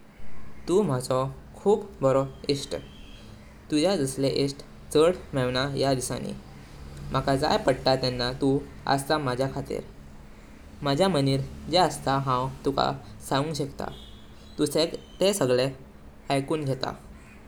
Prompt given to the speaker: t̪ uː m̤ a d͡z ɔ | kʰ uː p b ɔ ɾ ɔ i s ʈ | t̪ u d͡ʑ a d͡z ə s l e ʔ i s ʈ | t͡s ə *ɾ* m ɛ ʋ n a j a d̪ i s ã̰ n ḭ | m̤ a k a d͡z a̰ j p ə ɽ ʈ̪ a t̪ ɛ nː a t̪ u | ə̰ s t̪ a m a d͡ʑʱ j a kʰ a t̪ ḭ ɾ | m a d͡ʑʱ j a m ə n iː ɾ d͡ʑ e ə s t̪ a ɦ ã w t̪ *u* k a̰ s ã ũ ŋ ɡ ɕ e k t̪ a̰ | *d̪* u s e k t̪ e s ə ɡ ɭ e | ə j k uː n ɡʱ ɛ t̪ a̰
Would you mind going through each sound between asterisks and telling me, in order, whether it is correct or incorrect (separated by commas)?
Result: incorrect, correct, incorrect